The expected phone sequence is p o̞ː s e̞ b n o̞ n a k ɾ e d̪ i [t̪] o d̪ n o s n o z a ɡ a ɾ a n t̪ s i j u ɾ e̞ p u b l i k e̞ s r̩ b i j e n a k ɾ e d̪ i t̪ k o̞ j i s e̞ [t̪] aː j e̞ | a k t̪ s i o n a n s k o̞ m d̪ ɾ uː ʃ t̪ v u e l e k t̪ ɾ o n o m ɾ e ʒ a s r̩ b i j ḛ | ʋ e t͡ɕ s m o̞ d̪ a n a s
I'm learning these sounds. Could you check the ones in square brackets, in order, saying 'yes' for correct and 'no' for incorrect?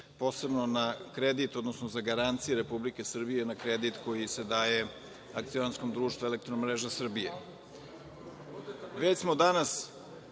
yes, no

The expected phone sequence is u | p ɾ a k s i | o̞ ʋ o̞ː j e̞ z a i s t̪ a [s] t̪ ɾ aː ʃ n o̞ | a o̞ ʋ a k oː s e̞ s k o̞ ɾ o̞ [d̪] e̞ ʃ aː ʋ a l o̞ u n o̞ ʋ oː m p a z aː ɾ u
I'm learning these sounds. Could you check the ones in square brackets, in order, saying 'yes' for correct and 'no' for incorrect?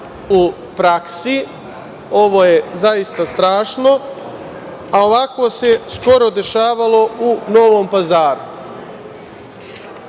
yes, yes

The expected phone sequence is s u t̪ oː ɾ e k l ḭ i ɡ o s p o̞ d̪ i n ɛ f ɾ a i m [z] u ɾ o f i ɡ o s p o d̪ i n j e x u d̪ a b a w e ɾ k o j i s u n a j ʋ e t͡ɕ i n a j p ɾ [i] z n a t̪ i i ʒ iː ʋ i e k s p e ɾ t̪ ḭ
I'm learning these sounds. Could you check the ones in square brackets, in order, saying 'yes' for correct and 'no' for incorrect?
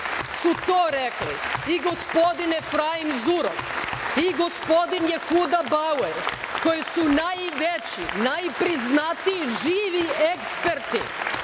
yes, yes

